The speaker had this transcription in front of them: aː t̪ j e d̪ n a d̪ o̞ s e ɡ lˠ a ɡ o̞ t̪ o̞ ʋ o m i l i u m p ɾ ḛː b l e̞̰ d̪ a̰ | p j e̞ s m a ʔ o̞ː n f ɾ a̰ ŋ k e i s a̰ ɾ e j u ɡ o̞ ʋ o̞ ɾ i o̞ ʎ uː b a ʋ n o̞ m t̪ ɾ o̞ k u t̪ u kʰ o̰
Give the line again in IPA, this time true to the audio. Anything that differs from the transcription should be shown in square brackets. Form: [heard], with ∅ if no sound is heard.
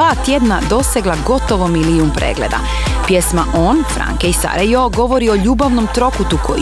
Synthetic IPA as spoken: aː t̪ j e d̪ n a d̪ o̞ s e ɡ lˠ a ɡ o̞ t̪ o̞ ʋ o m i l i u m p ɾ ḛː [ɡ] l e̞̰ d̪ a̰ | p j e̞ s m a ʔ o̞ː n f ɾ a̰ ŋ k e i s a̰ ɾ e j [o] ɡ o̞ ʋ o̞ ɾ i o̞ ʎ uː b a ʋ n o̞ m t̪ ɾ o̞ k u t̪ u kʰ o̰